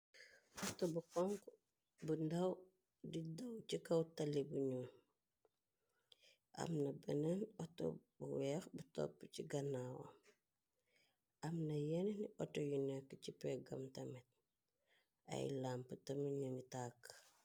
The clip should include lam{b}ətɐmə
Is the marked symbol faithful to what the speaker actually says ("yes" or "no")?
no